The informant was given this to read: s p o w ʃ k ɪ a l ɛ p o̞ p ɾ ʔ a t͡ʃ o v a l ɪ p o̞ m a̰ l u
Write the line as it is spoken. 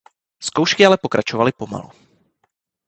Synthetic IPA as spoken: s k o w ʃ k ɪ a l ɛ p o̞ k ɾ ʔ a t͡ʃ o v a l ɪ p o̞ m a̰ l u